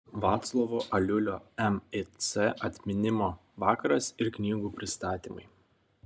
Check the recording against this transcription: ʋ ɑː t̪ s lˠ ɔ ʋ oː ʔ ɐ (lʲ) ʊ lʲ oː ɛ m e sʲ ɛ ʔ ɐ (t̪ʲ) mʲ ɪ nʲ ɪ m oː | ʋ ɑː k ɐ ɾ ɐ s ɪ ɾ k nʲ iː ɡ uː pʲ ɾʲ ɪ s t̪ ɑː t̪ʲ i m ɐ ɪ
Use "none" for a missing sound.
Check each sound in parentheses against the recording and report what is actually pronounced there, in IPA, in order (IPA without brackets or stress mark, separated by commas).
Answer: lʲ, t̪ʲ